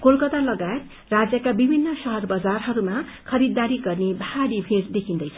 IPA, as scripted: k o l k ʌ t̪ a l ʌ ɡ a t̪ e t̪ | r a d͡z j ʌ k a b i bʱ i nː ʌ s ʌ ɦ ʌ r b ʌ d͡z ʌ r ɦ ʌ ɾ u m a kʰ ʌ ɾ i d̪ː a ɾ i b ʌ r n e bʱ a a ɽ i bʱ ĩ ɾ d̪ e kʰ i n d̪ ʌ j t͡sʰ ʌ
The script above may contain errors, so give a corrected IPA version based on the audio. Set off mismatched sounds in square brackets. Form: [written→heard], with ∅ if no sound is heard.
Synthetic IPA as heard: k o l k ʌ t̪ a l ʌ ɡ a [t̪→∅] e t̪ | r a d͡z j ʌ k a b i bʱ i nː ʌ s ʌ ɦ ʌ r b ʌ d͡z [ʌ→a] r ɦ ʌ ɾ u m a kʰ ʌ ɾ i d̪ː a ɾ i [b→ɡ] ʌ r n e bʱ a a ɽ i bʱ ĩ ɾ d̪ e kʰ i n d̪ ʌ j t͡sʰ ʌ